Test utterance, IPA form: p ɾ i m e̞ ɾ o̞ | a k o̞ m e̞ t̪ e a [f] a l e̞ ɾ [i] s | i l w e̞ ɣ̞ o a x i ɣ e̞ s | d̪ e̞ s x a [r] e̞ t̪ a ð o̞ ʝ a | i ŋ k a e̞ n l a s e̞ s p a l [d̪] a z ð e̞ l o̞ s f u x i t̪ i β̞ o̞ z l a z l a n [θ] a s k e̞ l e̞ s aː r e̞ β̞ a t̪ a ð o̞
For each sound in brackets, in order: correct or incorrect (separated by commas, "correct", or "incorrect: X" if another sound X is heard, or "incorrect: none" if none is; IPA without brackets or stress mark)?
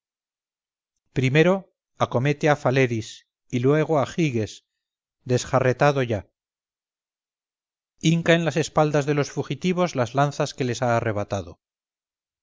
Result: correct, correct, correct, correct, correct